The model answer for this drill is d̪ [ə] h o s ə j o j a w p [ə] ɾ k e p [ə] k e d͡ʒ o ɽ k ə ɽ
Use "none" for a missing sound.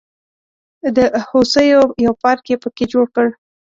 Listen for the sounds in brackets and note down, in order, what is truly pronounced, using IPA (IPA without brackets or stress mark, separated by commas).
ə, ɑ, ə